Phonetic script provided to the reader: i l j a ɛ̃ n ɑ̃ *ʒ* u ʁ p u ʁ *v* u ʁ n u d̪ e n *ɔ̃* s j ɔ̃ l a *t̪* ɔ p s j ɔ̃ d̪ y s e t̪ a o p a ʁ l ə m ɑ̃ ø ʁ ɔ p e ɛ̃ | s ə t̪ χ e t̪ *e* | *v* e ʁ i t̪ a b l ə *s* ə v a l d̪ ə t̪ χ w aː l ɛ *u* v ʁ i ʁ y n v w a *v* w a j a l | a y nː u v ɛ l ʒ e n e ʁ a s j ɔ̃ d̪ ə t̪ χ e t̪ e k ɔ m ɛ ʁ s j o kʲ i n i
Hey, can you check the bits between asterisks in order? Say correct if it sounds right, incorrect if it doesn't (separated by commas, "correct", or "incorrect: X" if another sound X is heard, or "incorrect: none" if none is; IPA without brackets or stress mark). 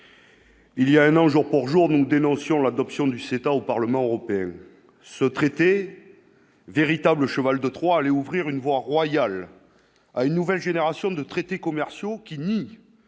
correct, incorrect: ʒ, correct, incorrect: d̪, correct, correct, incorrect: ʃ, correct, incorrect: ʁ